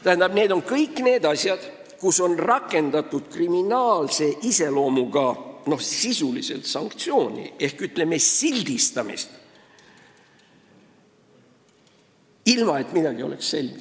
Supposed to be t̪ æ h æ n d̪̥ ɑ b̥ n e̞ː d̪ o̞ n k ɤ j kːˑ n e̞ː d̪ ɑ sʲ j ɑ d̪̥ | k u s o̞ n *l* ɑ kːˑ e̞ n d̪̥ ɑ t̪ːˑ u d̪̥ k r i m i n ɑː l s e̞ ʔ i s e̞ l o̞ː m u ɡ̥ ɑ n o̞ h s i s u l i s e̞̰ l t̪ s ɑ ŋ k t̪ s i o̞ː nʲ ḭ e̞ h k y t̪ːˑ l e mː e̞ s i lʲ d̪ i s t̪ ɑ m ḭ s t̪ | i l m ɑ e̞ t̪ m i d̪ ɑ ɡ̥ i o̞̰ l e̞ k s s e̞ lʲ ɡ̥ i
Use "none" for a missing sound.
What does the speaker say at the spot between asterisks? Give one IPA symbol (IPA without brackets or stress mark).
r